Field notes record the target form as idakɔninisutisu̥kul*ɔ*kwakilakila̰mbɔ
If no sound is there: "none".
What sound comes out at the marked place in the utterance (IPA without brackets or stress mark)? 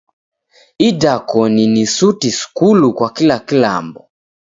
u